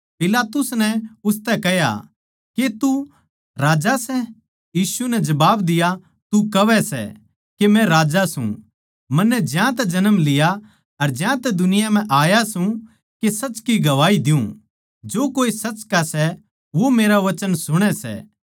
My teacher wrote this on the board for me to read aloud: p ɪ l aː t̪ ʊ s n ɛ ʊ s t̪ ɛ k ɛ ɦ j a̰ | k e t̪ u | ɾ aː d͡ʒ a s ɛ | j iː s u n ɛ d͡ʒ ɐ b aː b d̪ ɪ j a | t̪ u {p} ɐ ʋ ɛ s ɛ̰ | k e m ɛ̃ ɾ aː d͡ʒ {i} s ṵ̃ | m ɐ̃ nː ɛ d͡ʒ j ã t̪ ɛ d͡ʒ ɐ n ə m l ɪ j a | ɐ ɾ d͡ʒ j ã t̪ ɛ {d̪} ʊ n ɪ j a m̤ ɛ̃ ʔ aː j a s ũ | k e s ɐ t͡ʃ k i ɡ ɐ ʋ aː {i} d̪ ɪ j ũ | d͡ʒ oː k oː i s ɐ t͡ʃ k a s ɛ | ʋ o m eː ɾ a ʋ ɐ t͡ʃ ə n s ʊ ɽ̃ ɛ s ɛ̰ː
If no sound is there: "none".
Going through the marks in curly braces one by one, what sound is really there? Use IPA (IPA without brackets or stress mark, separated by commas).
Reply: k, a, d̪, i